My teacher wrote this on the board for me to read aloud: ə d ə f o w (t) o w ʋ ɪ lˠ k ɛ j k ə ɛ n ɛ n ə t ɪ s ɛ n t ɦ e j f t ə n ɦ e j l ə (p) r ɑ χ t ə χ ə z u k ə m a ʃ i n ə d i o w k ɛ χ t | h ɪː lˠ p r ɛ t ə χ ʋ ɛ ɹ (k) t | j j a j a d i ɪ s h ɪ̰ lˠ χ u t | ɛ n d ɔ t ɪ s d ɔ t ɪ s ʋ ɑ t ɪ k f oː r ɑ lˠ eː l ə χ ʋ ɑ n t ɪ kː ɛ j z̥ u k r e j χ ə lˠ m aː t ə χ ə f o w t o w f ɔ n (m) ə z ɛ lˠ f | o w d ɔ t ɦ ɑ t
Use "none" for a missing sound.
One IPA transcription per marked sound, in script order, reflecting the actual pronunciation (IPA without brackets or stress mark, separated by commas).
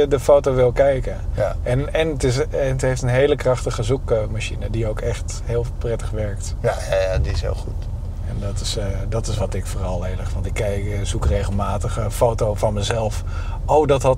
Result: t, k, k, m